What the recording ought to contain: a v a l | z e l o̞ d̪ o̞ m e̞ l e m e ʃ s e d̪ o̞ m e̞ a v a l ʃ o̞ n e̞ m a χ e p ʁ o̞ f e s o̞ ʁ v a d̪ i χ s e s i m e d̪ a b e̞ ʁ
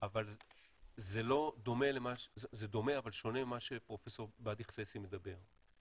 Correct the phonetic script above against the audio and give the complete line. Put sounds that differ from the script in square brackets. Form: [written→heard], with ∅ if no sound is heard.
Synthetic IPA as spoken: a v a l | z e l o̞ d̪ o̞ m e̞ l e m [e→a] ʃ [s→z] e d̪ o̞ m e̞ a v a l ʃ o̞ n e̞ m a [χ→ʃ] e p ʁ o̞ f e s o̞ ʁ [v→b] a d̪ i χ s e s i m e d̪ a b e̞ ʁ